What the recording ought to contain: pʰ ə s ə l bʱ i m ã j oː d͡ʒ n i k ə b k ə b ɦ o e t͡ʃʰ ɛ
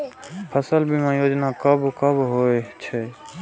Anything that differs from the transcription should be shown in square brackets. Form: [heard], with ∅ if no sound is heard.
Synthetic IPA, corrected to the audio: pʰ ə s ə l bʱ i m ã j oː d͡ʒ n [a] k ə b k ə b ɦ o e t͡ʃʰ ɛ